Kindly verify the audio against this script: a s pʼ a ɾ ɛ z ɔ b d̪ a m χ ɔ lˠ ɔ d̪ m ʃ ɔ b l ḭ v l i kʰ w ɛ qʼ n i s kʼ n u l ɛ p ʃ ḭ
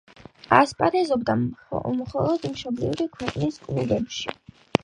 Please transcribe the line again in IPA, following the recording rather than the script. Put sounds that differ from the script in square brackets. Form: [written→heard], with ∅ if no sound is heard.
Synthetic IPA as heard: a s pʼ a ɾ ɛ z ɔ b d̪ a m χ ɔ lˠ ɔ d̪ m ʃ ɔ b l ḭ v [l→ɾ] i kʰ w ɛ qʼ n i s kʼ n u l ɛ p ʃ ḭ

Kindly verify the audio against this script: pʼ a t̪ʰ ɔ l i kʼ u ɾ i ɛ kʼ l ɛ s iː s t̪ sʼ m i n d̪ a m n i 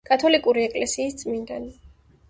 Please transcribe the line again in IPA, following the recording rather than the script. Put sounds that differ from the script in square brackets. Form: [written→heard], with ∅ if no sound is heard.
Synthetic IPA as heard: [pʼ→kʼ] a t̪ʰ ɔ l i kʼ u ɾ i ɛ kʼ l ɛ s iː s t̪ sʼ m i n d̪ a [m→∅] n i

